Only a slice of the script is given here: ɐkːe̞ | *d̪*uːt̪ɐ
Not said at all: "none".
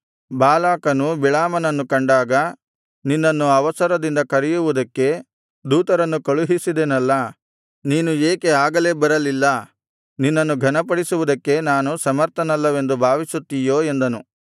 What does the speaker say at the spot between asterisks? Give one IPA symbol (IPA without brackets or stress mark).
d̪